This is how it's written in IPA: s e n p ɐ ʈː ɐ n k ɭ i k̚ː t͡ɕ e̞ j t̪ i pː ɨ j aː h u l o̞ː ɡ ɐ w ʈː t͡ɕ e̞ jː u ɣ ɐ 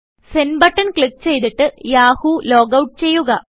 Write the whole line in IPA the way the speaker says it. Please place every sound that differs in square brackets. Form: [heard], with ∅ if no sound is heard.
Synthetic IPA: s e n [b] ɐ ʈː ɐ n k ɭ i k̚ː t͡ɕ e̞ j t̪ i [ʈː] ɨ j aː h u l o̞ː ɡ ɐ w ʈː t͡ɕ e̞ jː u ɣ ɐ